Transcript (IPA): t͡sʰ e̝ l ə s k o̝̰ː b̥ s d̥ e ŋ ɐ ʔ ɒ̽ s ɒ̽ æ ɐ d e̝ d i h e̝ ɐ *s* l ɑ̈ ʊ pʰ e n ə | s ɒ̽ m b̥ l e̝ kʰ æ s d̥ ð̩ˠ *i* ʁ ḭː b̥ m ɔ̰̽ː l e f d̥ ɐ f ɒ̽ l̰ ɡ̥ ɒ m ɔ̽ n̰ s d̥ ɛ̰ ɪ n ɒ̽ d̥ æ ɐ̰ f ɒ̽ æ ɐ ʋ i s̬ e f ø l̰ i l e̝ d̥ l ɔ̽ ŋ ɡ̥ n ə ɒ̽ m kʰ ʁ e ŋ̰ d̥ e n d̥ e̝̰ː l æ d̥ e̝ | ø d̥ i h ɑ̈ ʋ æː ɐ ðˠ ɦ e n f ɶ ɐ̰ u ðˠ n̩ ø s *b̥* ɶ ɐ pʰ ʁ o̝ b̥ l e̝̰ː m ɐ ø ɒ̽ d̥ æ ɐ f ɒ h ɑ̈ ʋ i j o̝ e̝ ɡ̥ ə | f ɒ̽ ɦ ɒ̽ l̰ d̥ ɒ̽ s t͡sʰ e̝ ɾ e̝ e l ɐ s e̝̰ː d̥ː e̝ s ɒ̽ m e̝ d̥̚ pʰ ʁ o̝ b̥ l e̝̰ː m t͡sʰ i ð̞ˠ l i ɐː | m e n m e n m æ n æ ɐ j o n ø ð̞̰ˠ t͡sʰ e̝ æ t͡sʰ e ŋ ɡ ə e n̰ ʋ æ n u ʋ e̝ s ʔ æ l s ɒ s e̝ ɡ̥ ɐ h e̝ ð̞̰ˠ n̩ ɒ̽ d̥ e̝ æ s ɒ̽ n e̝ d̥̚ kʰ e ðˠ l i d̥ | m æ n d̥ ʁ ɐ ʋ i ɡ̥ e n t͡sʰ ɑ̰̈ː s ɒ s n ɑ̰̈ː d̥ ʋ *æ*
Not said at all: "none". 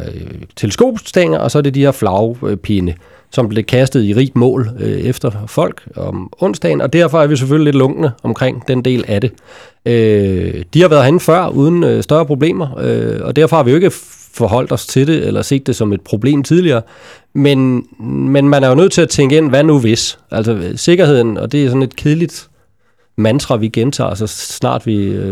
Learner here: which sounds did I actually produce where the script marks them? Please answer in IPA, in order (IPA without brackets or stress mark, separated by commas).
f, i, d̥, i